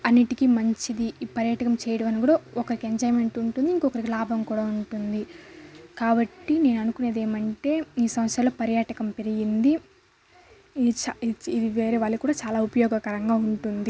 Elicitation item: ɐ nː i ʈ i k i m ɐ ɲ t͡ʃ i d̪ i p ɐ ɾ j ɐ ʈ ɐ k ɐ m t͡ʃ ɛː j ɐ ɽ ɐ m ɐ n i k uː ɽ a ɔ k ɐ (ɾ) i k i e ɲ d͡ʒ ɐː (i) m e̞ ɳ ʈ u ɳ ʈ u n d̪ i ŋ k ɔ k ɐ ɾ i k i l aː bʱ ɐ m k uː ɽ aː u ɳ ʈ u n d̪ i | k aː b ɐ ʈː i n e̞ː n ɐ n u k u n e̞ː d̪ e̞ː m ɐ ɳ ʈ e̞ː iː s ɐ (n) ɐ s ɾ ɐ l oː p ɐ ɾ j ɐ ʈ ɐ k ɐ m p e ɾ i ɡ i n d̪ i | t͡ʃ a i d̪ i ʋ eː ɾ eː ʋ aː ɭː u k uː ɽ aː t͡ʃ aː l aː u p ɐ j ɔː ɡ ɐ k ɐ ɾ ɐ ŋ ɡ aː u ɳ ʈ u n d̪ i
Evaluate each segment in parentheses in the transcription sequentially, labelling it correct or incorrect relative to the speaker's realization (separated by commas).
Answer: correct, incorrect, incorrect